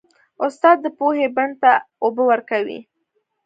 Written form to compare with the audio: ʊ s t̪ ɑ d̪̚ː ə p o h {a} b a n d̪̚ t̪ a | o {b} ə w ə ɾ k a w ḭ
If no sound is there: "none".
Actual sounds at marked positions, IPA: e, b

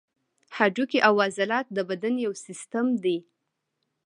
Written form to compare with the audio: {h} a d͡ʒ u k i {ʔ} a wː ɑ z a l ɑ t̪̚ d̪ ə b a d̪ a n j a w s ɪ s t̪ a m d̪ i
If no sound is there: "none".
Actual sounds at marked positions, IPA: h, ʔ

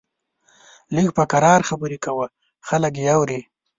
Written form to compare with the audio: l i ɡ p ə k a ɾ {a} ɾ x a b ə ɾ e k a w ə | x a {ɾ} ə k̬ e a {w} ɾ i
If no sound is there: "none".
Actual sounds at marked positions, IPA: ɑ, l, w

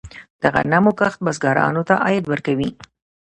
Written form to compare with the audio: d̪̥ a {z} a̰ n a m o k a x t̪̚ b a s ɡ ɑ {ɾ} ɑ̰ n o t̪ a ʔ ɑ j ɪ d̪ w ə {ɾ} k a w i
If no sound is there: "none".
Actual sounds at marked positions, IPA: ɣ, ɾ, ɾ

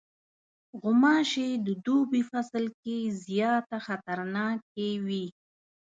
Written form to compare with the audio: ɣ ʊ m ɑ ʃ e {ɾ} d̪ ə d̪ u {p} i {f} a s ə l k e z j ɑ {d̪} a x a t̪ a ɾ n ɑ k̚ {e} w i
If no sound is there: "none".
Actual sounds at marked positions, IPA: none, b, f, t̪, e

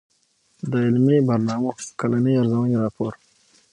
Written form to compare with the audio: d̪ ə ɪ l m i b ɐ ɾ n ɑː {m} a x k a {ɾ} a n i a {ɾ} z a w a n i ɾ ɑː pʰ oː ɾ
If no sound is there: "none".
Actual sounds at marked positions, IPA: m, l, ɾ

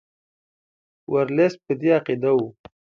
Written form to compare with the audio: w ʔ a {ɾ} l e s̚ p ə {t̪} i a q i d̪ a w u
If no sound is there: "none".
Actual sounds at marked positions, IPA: ɾ, d̪

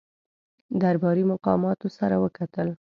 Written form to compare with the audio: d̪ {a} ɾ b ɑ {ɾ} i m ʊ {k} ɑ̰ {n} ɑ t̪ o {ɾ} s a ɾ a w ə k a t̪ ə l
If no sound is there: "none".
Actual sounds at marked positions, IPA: a, ɾ, q, m, none

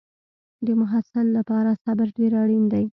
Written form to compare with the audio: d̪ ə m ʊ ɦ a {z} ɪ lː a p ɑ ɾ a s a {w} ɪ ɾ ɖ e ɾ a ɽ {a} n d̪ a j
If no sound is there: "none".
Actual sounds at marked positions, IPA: s, b, i

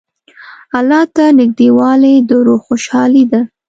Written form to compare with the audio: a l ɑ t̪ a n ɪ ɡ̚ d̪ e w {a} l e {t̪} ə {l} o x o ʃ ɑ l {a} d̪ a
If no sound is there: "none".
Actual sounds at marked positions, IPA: ɑ, d̪, ɾ, i

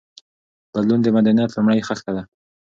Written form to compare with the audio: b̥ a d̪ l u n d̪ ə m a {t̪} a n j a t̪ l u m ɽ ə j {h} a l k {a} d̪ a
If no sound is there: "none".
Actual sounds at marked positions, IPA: d̪, x, a

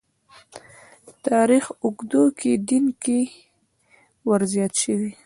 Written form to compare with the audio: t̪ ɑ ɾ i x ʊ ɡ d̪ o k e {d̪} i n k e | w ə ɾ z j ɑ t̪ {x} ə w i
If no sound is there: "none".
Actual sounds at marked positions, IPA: d̪, ʃ

